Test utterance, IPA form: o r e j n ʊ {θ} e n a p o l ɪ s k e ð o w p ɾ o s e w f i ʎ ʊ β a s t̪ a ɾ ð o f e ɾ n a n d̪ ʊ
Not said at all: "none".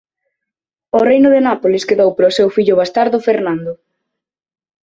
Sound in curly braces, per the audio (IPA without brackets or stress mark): ð